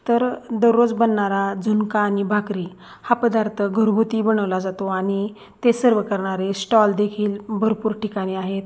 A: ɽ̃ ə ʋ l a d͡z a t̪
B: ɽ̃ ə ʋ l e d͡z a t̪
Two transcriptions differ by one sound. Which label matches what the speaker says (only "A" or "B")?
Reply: A